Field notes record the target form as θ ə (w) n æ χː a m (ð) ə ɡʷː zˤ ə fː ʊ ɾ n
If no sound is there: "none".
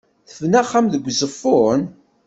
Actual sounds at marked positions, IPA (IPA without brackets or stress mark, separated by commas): v, ð